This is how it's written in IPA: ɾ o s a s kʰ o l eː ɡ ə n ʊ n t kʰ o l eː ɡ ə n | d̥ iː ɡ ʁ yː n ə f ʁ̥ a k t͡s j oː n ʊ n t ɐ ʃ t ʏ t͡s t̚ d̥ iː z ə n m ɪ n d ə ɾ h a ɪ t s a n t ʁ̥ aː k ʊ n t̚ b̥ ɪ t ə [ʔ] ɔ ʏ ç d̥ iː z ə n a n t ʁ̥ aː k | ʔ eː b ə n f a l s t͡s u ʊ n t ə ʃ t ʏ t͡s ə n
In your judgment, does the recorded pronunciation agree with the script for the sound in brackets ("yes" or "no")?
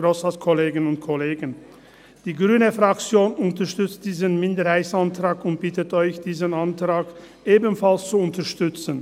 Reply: no